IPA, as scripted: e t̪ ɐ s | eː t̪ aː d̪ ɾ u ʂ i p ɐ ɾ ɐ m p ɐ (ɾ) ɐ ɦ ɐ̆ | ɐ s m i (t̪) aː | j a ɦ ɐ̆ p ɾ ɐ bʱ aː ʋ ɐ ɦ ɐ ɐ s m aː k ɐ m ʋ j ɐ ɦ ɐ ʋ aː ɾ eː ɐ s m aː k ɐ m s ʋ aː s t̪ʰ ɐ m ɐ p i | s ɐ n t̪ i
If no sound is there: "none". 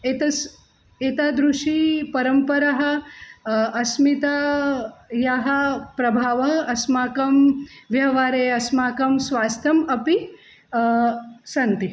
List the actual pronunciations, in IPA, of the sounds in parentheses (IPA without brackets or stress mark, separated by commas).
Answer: ɾ, t̪